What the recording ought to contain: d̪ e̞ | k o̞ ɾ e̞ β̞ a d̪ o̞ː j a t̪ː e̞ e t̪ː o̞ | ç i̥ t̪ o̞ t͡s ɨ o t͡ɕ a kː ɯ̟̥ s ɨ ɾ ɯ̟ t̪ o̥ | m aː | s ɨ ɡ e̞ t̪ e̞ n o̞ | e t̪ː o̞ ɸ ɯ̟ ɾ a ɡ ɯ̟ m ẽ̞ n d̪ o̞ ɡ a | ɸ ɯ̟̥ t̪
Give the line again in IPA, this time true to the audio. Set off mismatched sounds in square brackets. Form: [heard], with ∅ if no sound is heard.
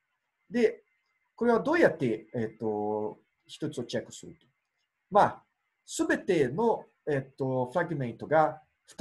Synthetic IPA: d̪ e̞ | k o̞ ɾ e̞ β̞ a d̪ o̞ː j a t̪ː e̞ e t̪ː o̞ | ç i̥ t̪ o̞ t͡s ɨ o t͡ɕ a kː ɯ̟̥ s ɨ ɾ ɯ̟ t̪ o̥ | m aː | s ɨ [b] e̞ t̪ e̞ n o̞ | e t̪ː o̞ ɸ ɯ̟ ɾ a ɡ ɯ̟ m ẽ̞ n [t̪] o̞ ɡ a | ɸ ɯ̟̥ t̪